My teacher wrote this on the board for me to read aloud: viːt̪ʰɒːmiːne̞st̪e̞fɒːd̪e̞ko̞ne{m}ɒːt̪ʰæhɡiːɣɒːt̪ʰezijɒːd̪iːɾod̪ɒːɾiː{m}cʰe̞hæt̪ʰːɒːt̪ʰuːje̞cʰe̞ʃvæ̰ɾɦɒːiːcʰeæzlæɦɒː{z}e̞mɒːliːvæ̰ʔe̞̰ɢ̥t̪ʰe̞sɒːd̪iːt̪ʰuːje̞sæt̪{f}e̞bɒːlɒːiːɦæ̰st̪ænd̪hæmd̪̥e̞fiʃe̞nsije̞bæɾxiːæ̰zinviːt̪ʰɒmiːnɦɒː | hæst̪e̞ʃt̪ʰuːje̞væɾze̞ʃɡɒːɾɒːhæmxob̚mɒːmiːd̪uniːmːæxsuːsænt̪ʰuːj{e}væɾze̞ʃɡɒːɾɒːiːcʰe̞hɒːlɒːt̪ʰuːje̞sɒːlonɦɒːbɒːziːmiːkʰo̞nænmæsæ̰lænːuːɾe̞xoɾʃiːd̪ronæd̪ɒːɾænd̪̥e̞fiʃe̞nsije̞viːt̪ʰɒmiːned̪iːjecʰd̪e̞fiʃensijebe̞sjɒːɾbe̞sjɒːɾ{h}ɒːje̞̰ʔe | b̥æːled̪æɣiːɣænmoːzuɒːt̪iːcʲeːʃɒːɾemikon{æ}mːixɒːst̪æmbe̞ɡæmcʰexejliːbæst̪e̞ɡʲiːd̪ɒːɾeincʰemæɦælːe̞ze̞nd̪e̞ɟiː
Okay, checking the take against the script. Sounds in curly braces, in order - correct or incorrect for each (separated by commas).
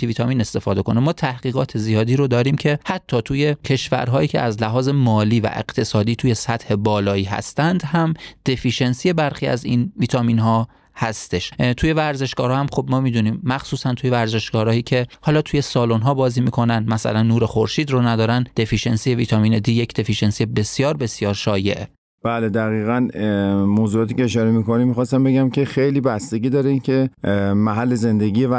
correct, correct, correct, incorrect, correct, incorrect, incorrect